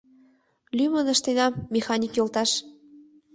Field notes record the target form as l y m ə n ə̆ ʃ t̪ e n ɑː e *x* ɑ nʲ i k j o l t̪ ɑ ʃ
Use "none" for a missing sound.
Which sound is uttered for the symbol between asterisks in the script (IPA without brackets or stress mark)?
x